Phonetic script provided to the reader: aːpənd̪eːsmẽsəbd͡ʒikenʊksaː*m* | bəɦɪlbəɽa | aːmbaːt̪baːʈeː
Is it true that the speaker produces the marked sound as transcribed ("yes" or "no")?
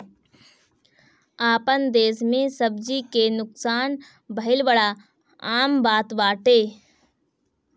no